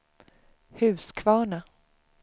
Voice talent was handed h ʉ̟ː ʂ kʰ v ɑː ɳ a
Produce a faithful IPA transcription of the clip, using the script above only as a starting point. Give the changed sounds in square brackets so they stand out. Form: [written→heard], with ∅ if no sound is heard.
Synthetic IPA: h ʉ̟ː [ʂ→s] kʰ v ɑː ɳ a